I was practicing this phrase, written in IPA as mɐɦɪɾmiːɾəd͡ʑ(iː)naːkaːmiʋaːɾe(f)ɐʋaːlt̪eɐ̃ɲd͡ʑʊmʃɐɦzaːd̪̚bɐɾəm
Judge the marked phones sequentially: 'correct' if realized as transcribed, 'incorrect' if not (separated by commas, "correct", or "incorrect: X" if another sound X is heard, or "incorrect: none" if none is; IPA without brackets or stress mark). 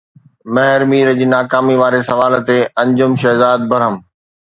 correct, incorrect: s